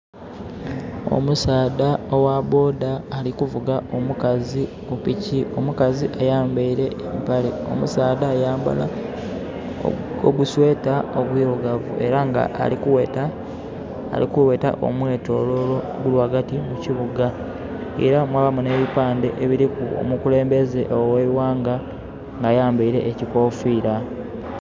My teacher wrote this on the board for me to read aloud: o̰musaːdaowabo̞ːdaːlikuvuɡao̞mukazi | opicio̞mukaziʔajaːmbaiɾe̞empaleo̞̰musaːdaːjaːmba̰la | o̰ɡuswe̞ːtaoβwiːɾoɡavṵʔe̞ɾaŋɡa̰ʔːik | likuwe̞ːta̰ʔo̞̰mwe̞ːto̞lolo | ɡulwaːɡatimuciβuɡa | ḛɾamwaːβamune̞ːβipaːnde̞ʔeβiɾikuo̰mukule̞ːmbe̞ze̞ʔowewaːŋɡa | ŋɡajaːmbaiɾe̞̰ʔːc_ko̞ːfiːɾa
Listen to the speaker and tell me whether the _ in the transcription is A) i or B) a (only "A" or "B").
A